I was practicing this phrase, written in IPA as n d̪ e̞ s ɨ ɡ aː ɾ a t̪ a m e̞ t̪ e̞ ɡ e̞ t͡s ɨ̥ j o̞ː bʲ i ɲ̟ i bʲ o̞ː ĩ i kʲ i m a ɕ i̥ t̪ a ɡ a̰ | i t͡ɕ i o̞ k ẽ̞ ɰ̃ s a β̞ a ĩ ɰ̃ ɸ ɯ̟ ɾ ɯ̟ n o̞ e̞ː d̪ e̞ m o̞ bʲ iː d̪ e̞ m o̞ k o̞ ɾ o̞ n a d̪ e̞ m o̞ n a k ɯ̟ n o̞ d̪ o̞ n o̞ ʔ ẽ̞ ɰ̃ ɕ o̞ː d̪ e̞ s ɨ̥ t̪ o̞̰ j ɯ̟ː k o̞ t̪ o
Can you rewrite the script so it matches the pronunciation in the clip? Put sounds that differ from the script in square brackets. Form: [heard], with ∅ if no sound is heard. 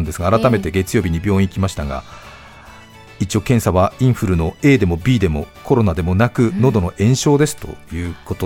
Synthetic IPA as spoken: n d̪ e̞ s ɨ ɡ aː ɾ a t̪ a m e̞ t̪ e̞ ɡ e̞ t͡s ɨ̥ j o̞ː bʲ i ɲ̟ i bʲ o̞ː ĩ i kʲ i m a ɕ i̥ t̪ a ɡ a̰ | i t͡ɕ i o̞ k ẽ̞ ɰ̃ s a β̞ a ĩ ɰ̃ ɸ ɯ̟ ɾ ɯ̟ n o̞ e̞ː d̪ e̞ m o̞ bʲ iː d̪ e̞ m o̞ k o̞ ɾ o̞ n a d̪ e̞ m o̞ n a k ɯ̟ n o̞ d̪ o̞ n o̞ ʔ ẽ̞ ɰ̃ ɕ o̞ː d̪ e̞ s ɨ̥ t̪ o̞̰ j ɯ̟ː k o̞ t̪ o